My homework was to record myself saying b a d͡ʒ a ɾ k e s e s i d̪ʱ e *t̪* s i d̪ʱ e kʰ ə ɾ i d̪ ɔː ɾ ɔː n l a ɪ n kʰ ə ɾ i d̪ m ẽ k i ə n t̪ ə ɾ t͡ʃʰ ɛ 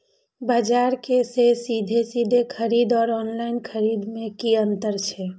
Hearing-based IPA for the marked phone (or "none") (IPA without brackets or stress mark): none